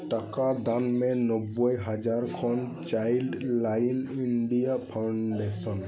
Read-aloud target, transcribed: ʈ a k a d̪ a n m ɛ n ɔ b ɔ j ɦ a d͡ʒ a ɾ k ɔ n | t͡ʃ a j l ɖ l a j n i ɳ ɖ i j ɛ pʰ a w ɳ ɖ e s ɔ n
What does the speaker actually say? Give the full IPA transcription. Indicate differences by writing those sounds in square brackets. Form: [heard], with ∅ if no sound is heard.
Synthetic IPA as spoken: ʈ a k a d̪ a n m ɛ n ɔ b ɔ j ɦ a d͡ʒ a ɾ [kʰ] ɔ n | t͡ʃ a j l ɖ l a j n i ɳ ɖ i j [a] pʰ a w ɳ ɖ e s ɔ n